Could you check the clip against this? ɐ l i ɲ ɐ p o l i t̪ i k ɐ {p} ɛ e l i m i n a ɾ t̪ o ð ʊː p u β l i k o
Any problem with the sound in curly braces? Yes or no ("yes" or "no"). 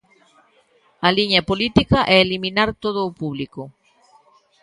yes